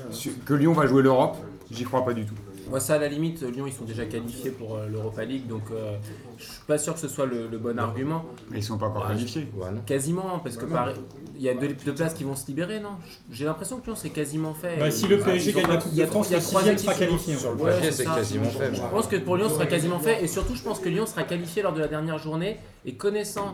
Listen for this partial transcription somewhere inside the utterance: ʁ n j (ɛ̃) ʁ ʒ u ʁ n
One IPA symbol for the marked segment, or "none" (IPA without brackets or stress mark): ɛ